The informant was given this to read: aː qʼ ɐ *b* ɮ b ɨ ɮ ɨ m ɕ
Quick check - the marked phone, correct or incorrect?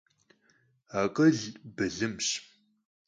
incorrect